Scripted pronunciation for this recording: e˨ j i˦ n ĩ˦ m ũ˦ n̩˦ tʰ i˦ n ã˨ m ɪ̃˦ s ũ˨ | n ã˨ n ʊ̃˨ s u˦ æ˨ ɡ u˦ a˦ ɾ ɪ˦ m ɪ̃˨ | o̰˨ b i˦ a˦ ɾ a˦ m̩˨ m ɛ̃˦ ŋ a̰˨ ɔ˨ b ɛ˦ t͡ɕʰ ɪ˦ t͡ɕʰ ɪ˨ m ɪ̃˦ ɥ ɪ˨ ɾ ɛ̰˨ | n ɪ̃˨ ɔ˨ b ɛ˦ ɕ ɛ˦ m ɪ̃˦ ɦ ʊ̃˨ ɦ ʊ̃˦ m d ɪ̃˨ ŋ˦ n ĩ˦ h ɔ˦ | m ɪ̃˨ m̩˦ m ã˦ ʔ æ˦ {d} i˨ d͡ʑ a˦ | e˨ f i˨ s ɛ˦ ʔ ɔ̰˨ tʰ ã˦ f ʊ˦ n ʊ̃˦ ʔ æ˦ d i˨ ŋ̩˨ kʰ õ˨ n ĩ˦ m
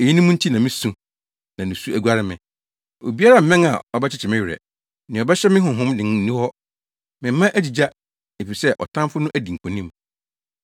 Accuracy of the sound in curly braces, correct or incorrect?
incorrect